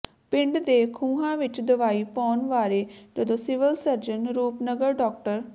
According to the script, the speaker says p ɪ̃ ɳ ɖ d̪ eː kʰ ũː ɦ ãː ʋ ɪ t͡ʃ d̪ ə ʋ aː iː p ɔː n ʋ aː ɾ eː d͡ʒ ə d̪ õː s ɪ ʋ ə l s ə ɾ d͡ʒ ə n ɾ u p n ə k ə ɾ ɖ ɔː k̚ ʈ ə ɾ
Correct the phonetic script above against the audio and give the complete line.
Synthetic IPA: p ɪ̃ ɳ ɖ d̪ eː kʰ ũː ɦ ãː ʋ ɪ t͡ʃ d̪ ə ʋ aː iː p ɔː n ʋ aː ɾ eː d͡ʒ ə d̪ õː s ɪ ʋ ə l s ə ɾ d͡ʒ ə n ɾ uː p n ə ɡ ə ɾ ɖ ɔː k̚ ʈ ə ɾ